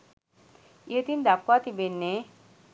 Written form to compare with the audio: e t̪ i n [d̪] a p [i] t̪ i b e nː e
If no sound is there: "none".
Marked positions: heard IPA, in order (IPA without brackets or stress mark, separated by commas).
d̪, a